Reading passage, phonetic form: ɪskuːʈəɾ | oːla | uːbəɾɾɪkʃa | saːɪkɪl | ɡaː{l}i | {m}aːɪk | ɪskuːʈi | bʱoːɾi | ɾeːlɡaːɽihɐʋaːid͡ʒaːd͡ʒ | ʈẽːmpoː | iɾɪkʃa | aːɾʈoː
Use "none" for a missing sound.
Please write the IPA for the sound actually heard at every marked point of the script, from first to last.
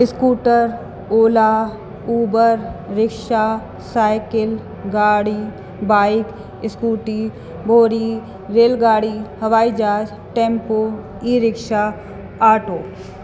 ɽ, b

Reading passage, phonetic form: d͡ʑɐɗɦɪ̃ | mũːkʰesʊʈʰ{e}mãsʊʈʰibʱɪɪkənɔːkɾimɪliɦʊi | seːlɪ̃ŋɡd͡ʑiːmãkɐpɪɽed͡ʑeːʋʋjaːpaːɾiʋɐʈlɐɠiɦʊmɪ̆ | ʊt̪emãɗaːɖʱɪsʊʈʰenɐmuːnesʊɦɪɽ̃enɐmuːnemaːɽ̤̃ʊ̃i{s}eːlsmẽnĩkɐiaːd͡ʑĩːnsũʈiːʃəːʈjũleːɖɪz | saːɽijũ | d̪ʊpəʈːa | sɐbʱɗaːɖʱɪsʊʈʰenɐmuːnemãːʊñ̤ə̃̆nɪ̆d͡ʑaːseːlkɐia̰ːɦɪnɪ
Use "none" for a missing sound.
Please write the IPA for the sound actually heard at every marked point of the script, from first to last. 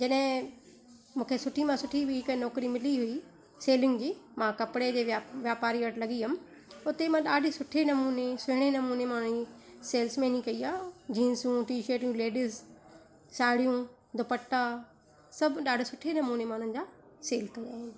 i, s

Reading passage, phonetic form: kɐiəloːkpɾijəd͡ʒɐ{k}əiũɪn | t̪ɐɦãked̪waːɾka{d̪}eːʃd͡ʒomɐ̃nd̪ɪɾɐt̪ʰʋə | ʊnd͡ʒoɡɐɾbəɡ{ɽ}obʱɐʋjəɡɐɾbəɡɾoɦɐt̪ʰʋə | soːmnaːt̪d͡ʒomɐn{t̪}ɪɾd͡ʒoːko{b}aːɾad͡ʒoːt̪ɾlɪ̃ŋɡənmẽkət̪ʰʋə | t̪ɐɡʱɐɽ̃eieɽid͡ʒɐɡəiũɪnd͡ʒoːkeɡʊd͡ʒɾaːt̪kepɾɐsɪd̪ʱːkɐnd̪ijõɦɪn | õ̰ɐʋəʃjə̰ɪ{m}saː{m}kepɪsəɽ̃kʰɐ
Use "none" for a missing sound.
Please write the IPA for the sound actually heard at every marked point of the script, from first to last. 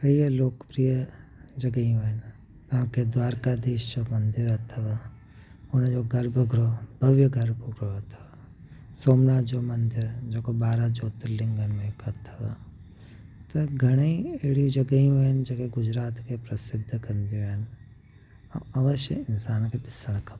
ɡ, d̪, ɾ, d̪, b, n, n

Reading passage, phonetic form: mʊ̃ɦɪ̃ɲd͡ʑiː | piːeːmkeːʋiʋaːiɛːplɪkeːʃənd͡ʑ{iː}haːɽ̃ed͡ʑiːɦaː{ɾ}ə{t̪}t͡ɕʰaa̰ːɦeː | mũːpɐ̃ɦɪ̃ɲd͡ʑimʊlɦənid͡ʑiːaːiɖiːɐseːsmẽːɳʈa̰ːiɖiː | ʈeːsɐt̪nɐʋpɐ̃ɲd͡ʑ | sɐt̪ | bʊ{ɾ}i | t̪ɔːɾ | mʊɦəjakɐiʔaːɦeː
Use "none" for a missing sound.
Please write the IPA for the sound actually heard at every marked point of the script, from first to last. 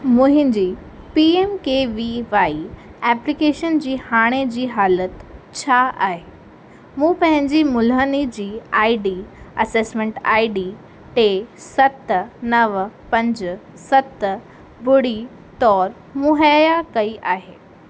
iː, l, t̪, ɽ

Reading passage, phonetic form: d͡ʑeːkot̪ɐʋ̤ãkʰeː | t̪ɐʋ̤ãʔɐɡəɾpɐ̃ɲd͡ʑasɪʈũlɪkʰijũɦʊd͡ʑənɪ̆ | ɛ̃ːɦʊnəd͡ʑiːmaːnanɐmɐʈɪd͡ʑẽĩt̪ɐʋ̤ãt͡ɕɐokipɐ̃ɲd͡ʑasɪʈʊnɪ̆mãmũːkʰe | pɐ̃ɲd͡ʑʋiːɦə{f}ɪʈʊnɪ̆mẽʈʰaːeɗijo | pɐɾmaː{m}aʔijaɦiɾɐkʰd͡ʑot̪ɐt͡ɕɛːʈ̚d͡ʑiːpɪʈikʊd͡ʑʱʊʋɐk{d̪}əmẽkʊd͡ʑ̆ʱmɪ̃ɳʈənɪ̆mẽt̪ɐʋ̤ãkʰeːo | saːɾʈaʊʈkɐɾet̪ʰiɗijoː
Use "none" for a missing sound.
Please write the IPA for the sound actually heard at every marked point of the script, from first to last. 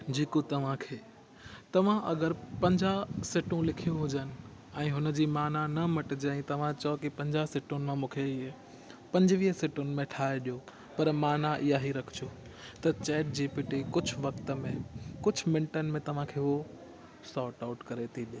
s, n, t̪

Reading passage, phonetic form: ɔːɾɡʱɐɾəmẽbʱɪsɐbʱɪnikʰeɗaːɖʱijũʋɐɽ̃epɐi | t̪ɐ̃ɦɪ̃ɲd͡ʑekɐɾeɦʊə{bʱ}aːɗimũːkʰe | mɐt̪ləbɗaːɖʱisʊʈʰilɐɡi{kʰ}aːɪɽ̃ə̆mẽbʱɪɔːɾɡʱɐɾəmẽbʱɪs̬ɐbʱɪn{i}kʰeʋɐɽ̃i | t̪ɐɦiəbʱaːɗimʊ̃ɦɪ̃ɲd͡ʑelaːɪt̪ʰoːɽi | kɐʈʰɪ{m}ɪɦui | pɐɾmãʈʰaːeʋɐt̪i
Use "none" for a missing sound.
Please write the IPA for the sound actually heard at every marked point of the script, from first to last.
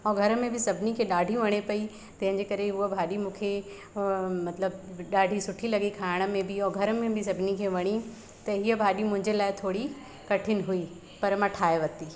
bʱ, kʰ, i, n

